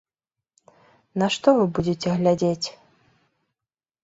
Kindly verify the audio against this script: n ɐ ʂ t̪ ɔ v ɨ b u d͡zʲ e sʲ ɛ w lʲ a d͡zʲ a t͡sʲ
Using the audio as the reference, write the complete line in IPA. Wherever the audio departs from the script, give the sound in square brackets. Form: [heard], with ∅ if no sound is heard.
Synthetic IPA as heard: n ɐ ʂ t̪ ɔ v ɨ b u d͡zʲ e [t͡sʲ] ɛ [ɣ] lʲ a d͡zʲ [e] t͡sʲ